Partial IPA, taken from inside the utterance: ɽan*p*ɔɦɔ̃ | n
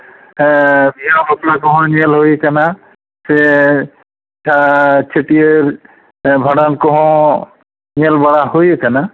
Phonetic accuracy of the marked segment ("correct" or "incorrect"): incorrect